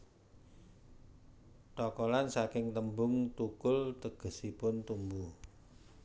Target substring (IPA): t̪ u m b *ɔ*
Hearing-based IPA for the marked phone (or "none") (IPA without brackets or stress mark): u